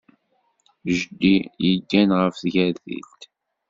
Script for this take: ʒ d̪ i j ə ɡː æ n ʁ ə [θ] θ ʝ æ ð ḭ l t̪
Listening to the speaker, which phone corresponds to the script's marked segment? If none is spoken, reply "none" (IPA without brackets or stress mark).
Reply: f